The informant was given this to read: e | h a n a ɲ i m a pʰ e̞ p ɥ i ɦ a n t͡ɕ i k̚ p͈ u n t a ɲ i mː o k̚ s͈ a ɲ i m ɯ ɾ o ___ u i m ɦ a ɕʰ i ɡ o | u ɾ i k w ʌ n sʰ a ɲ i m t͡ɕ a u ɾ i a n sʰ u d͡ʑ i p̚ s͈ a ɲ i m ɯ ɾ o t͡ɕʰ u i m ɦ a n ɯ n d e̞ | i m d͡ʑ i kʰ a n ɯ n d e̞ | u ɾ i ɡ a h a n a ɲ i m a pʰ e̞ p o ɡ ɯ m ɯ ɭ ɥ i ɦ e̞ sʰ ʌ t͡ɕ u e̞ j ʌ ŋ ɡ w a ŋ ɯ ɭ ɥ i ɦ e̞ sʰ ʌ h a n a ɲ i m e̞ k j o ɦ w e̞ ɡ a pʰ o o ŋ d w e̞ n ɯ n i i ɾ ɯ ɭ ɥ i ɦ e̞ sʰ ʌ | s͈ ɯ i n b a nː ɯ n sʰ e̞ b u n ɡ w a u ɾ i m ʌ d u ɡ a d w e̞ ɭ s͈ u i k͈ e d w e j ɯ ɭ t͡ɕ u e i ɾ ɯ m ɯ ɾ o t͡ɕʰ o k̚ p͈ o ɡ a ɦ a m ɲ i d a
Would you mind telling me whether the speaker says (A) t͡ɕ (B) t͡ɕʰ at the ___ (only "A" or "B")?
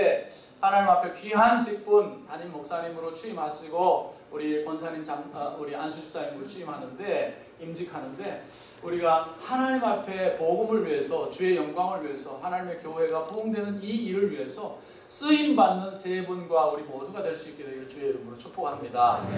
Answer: B